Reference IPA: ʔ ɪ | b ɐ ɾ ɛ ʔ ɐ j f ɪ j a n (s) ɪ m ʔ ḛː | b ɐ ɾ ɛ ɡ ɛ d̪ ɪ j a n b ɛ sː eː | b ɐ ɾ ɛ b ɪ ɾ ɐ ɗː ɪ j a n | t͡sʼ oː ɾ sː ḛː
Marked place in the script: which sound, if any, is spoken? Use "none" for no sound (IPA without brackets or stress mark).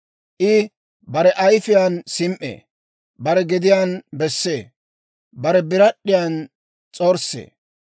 s